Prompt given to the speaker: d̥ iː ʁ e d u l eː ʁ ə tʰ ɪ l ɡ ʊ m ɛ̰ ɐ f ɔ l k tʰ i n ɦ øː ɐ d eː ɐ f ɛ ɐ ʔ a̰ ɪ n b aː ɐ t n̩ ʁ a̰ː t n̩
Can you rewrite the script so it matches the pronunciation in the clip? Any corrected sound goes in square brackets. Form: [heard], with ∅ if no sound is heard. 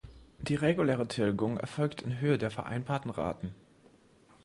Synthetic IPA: d̥ iː ʁ e [ɡ] u l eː ʁ ə tʰ ɪ l ɡ ʊ [ŋ] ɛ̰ ɐ f ɔ l k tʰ [ɪ] n ɦ øː [ə] d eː ɐ f ɛ ɐ ʔ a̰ ɪ n b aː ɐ t n̩ ʁ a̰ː t n̩